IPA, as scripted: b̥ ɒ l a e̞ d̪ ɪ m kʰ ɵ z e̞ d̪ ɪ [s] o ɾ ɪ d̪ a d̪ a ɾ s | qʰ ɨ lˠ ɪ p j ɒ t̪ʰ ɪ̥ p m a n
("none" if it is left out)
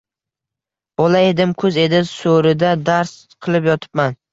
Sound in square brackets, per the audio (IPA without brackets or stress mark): s